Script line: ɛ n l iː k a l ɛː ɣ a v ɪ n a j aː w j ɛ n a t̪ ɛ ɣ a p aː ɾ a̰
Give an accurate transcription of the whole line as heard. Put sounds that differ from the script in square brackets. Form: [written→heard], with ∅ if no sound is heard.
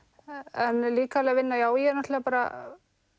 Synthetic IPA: ɛ n l iː k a l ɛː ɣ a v ɪ [n→nː] a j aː w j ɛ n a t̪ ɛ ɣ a p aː ɾ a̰